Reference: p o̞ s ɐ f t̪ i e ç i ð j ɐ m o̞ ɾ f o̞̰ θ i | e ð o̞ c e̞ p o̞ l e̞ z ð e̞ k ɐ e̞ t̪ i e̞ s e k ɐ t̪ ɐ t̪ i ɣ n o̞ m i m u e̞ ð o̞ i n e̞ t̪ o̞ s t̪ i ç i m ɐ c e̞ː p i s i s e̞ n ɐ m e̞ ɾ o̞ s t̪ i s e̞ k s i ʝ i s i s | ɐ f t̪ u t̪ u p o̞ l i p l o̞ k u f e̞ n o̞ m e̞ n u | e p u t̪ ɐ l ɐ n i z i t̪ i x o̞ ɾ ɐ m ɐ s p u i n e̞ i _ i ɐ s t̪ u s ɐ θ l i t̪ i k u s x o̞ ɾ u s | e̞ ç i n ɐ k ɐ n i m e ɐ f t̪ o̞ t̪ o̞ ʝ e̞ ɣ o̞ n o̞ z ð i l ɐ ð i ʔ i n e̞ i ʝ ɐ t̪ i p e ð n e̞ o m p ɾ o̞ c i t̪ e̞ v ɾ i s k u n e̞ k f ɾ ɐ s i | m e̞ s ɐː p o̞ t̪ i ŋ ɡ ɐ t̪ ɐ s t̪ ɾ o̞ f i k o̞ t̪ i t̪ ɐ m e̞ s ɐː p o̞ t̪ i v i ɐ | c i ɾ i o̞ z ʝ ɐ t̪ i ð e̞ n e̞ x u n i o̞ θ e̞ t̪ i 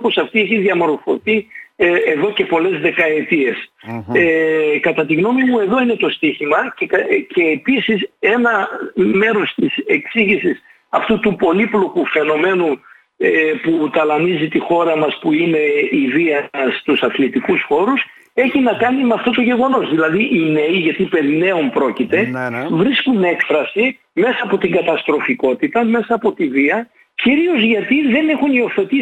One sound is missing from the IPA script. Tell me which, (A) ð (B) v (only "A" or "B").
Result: B